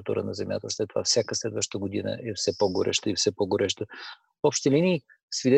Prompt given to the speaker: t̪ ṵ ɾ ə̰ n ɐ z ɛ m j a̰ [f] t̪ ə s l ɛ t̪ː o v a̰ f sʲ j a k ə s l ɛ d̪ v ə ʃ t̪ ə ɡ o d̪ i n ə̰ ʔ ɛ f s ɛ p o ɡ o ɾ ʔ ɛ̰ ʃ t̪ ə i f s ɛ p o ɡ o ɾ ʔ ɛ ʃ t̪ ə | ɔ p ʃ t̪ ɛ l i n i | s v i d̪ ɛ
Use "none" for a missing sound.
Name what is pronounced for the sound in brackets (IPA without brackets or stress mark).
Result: none